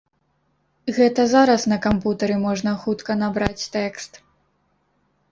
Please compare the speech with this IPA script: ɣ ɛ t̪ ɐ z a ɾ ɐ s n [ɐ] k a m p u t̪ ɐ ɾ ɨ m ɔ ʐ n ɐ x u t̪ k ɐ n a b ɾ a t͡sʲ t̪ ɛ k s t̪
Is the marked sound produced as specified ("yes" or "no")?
yes